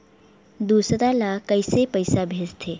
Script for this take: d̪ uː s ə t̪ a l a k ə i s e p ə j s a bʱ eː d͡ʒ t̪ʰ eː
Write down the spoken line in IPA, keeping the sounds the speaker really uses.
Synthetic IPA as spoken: d̪ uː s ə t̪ a l a k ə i s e p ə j s a bʱ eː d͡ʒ t̪ʰ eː